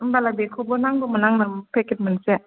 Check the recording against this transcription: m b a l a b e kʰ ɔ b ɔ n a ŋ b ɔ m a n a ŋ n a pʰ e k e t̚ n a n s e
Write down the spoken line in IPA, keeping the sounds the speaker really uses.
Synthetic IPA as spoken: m b a l a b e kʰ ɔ b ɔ n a ŋ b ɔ m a n a ŋ n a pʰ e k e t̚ m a n s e